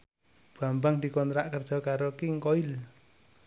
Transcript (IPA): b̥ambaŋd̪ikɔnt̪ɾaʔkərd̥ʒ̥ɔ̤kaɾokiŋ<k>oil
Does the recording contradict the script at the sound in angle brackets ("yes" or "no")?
no